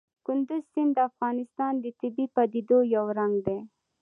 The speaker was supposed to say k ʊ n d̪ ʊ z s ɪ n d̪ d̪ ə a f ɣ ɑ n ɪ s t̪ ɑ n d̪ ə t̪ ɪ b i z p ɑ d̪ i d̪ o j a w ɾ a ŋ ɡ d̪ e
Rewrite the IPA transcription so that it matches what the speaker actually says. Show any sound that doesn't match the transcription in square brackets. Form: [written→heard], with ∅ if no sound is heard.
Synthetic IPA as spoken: k ʊ n d̪ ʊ z s ɪ n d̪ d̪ ə a f ɣ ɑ n ɪ s t̪ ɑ n d̪ ə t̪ ɪ b i [z→∅] p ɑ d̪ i d̪ o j a w ɾ a ŋ ɡ d̪ e